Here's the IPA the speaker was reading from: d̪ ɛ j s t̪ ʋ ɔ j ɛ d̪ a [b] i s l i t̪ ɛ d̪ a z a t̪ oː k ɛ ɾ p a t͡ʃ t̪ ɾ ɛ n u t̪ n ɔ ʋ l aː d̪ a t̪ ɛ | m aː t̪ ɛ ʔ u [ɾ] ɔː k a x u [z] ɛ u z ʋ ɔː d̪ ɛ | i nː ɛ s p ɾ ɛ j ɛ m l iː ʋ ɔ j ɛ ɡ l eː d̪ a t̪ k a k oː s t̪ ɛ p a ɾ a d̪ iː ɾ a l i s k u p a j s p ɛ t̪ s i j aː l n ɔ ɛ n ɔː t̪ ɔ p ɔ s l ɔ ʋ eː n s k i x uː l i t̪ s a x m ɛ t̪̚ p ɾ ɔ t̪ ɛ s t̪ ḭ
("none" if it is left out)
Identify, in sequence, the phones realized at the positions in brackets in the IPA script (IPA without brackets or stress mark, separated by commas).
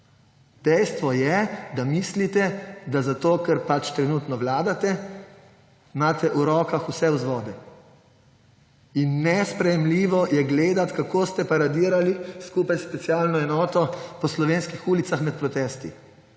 m, ɾ, s